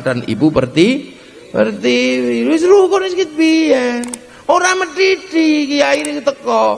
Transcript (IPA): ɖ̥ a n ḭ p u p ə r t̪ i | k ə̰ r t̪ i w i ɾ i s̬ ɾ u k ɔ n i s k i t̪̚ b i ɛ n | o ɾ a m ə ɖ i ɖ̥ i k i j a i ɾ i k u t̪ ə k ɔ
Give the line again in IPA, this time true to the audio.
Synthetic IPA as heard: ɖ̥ a n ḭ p u p ə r t̪ i | p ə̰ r t̪ i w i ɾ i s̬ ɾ u k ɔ n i s k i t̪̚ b i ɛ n | o ɾ a m ə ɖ i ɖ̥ i k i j a i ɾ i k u t̪ ə k ɔ